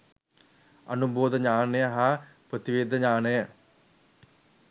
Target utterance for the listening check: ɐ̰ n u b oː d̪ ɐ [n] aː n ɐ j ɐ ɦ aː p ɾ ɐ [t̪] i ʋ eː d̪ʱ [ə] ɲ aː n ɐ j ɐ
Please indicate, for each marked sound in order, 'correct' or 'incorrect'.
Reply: incorrect, correct, incorrect

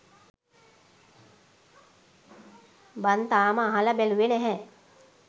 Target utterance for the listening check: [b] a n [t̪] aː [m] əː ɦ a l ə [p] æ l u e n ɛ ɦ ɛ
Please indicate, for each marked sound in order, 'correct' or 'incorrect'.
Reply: correct, correct, correct, incorrect

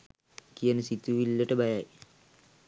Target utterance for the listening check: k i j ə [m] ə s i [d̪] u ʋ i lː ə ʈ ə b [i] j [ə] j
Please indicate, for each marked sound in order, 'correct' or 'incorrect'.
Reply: incorrect, incorrect, incorrect, incorrect

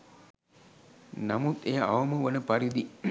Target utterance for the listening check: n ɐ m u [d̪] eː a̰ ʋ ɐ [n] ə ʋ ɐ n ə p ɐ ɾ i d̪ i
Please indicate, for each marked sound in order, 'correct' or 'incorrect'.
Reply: incorrect, incorrect

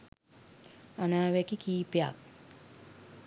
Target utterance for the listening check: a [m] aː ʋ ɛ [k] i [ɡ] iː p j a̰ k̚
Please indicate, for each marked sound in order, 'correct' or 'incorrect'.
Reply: incorrect, correct, incorrect

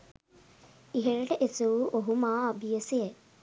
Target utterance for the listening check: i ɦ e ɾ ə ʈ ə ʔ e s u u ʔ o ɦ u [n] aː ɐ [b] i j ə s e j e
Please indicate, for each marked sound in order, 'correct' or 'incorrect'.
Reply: incorrect, correct

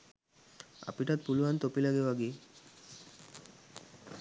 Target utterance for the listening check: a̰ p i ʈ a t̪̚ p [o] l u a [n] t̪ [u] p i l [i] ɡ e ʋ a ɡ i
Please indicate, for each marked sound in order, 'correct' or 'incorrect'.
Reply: incorrect, correct, incorrect, incorrect

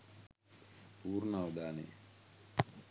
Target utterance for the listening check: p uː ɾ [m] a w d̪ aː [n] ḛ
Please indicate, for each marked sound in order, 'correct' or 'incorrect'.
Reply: incorrect, correct

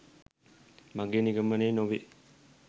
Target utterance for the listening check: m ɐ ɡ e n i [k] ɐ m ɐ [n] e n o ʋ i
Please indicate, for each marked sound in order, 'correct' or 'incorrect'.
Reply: incorrect, correct

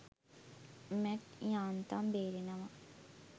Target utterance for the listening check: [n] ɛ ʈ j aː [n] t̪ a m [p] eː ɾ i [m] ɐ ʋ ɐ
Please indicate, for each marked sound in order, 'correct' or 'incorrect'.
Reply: incorrect, correct, incorrect, incorrect

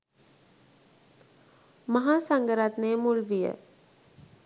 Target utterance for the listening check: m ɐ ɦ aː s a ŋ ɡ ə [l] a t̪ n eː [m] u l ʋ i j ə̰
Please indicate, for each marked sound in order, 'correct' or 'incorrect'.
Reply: incorrect, correct

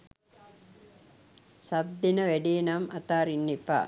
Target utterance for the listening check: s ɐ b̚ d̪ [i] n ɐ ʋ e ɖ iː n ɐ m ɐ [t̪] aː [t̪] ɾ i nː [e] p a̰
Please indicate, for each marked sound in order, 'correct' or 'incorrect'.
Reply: correct, correct, incorrect, incorrect

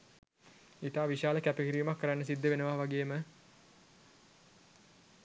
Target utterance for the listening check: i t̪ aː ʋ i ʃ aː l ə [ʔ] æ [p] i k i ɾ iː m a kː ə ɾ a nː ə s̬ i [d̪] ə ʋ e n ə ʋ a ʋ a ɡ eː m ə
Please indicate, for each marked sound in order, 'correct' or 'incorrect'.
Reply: incorrect, correct, incorrect

